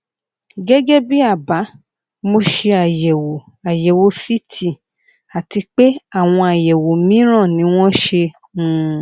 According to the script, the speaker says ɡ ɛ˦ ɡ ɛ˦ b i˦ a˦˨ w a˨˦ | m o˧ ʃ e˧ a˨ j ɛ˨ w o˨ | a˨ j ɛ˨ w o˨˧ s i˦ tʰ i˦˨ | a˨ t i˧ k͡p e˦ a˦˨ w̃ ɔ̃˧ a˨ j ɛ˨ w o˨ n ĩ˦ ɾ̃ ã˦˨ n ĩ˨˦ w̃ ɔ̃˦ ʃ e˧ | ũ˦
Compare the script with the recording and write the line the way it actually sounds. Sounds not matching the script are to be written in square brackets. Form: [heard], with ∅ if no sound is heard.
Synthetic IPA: ɡ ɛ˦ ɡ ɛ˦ b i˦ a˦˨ [b] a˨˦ | m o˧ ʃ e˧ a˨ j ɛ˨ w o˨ | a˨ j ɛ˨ w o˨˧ s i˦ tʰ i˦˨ | a˨ t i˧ k͡p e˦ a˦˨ w̃ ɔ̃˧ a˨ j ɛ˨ w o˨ [m] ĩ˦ ɾ̃ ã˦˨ n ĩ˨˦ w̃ ɔ̃˦ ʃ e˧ | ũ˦

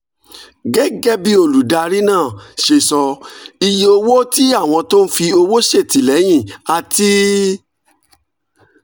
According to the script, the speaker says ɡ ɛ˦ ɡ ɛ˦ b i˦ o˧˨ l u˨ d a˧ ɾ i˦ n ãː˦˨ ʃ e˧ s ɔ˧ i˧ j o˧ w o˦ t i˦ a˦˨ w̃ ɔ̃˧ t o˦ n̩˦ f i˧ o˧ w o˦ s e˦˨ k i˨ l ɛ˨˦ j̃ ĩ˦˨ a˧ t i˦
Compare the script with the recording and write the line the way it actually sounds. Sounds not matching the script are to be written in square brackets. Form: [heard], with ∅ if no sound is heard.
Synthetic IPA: ɡ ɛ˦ ɡ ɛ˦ b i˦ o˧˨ l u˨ d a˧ ɾ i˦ n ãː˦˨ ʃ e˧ s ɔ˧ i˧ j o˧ w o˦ t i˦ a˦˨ w̃ ɔ̃˧ t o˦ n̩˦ f i˧ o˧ w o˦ [ʃ] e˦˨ [t] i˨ l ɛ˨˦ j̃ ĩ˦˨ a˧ t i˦

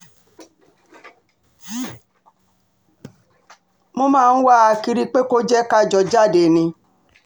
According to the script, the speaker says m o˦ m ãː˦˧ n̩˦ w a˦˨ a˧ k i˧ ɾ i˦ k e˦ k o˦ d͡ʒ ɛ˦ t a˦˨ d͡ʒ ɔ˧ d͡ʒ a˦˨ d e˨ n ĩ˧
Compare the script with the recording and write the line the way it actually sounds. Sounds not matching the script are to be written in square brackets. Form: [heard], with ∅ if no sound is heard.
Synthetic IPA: m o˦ m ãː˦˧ n̩˦ w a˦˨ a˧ k i˧ ɾ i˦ [k͡p] e˦ k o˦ d͡ʒ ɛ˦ [k] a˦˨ d͡ʒ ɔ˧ d͡ʒ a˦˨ d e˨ n ĩ˧

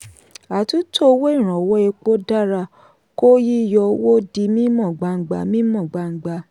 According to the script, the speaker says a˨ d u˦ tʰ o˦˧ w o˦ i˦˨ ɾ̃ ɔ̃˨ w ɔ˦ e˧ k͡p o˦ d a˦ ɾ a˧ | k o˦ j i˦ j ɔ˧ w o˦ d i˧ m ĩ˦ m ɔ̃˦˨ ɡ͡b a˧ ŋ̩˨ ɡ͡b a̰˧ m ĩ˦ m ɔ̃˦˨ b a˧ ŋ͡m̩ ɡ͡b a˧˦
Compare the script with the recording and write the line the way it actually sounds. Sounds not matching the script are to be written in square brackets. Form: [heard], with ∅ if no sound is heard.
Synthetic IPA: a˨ [t] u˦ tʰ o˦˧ w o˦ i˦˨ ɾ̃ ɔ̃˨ w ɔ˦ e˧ k͡p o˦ d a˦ ɾ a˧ | k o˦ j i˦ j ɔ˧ w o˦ d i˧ m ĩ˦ m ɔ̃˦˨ ɡ͡b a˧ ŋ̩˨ ɡ͡b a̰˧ m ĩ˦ m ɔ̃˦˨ [ɡ͡b] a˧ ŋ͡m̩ ɡ͡b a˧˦

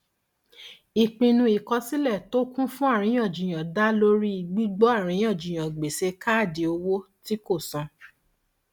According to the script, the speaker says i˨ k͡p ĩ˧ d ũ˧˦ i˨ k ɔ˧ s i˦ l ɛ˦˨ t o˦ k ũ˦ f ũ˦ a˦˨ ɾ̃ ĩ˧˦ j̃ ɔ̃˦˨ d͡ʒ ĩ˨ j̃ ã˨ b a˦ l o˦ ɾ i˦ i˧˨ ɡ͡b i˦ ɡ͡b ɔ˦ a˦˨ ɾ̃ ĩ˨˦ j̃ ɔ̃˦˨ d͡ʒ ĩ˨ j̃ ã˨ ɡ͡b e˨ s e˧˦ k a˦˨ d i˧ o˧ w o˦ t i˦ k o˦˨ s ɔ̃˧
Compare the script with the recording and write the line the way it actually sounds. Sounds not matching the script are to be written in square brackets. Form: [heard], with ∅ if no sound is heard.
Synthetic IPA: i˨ k͡p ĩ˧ [n] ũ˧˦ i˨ k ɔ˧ s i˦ l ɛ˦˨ t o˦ k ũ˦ f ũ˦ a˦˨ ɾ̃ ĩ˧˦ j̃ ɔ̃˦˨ d͡ʒ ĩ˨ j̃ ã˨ [d] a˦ l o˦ ɾ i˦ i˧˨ ɡ͡b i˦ ɡ͡b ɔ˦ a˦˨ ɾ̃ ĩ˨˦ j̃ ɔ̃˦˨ d͡ʒ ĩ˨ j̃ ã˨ ɡ͡b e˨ s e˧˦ k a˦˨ d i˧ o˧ w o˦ t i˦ k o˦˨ s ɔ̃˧

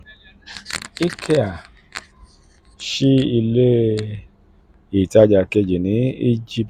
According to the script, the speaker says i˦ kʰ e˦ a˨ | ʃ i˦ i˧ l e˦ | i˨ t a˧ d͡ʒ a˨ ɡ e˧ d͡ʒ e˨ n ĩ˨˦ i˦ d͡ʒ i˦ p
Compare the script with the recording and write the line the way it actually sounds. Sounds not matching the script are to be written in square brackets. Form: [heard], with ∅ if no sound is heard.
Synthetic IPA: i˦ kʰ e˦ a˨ | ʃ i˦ i˧ l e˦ | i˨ t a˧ d͡ʒ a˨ [k] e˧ d͡ʒ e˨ n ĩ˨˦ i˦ d͡ʒ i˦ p

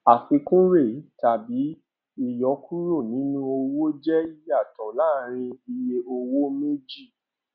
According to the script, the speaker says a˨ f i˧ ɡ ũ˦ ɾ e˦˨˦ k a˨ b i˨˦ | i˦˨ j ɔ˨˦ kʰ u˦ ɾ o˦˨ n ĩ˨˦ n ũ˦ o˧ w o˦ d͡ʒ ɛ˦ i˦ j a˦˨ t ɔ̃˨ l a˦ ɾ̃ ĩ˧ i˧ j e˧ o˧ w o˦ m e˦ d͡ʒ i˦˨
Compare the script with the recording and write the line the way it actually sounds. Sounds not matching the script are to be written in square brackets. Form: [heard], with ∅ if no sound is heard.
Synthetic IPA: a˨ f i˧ [k] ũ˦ ɾ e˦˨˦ [t] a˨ b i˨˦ | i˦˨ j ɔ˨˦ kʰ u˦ ɾ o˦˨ n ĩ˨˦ n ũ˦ o˧ w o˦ d͡ʒ ɛ˦ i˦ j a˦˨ t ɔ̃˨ l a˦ ɾ̃ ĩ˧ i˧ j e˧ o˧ w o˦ m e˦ d͡ʒ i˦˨

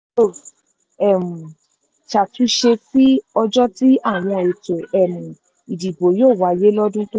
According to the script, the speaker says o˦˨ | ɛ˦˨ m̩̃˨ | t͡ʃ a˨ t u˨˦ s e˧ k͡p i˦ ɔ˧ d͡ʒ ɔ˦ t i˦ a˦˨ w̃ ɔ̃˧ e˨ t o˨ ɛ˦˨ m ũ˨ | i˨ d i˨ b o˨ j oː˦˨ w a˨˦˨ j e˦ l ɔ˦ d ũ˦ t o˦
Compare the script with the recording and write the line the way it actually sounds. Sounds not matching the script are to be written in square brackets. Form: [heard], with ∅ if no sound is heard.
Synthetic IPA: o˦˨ | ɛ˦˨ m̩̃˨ | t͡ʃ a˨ t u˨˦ [ʃ] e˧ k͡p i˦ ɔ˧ d͡ʒ ɔ˦ t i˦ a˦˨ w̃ ɔ̃˧ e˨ t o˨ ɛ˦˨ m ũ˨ | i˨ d i˨ b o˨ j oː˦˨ w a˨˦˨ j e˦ l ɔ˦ d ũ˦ t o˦

